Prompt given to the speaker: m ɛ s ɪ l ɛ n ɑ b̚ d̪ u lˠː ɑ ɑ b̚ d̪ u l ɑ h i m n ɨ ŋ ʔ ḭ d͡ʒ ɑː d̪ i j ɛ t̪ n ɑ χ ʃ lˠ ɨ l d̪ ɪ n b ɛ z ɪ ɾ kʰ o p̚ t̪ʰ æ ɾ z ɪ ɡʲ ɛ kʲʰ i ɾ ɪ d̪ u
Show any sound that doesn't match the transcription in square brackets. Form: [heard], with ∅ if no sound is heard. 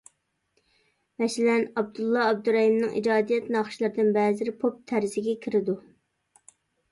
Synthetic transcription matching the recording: m ɛ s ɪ l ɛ n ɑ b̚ d̪ u lˠː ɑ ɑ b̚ d̪ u [ɾ] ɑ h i m n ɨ ŋ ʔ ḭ d͡ʒ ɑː d̪ i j ɛ t̪ n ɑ χ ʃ lˠ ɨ [ɾ] d̪ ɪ n b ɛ z ɪ ɾ [pʰ] o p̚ t̪ʰ æ ɾ z ɪ ɡʲ ɛ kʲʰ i ɾ ɪ d̪ u